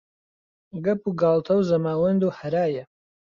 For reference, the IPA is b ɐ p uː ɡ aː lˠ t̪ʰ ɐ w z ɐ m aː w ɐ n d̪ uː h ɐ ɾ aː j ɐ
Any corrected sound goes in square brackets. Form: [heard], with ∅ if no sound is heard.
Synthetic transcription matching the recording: [ɡ] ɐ p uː ɡ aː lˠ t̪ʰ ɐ w z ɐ m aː w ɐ n d̪ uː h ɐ ɾ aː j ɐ